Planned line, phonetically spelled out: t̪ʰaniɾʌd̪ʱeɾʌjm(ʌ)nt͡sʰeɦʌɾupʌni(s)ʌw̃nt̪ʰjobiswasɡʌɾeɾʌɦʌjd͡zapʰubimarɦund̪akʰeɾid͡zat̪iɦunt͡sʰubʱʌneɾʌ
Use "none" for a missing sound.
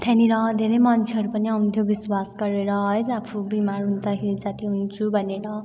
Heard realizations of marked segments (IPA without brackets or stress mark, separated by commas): ʌ, none